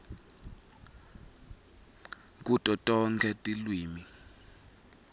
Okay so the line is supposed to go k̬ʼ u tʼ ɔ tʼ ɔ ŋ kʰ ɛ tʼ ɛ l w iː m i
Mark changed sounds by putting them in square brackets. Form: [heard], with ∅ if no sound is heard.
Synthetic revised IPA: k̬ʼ u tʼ ɔ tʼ ɔ ŋ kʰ ɛ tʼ [i] l w iː m i